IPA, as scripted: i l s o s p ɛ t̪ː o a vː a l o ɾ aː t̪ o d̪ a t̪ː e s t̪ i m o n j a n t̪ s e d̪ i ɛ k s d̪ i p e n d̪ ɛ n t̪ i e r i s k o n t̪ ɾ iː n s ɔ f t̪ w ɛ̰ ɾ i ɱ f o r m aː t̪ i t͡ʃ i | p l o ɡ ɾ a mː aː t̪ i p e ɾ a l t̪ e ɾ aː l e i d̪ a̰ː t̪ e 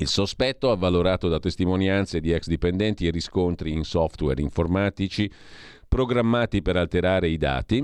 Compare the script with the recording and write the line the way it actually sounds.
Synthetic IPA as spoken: i l s o s p ɛ t̪ː o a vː a l o ɾ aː t̪ o d̪ a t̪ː e s t̪ i m o n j a n t̪ s e d̪ i ɛ k s d̪ i p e n d̪ ɛ n t̪ i e r i s k o n t̪ ɾ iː n s ɔ f t̪ w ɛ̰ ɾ i ɱ f o r m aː t̪ i t͡ʃ i | p ɾ o ɡ ɾ a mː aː t̪ i p e ɾ a l t̪ e ɾ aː ɾ e i d̪ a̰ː t̪ i